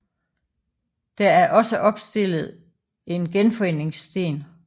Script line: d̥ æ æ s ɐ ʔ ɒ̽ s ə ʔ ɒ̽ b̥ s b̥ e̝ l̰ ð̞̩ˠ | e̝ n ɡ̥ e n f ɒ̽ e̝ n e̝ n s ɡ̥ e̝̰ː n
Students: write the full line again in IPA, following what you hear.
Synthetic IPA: d̥ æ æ ɐ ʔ ɒ̽ s ə ʔ ɒ̽ b̥ s d̥ e̝ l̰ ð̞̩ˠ | e̝ n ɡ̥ e n f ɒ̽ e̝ n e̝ ŋ s d̥ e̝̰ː n